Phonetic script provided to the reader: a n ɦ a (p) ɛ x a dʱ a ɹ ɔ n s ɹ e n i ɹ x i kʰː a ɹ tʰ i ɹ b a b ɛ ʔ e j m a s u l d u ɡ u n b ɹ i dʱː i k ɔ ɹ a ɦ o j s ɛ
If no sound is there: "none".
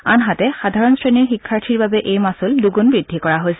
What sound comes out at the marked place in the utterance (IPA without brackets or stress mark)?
t